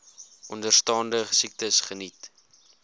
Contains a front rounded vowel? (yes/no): no